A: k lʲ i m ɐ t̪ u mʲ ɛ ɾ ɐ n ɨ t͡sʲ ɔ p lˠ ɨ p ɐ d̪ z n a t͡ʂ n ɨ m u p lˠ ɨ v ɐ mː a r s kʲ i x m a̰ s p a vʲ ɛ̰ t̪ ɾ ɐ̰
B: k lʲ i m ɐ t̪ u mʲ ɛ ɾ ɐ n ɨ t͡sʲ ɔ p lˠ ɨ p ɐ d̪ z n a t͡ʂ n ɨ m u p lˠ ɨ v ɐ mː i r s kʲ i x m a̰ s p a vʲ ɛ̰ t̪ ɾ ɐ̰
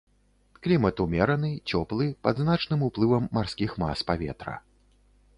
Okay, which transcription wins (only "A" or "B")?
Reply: A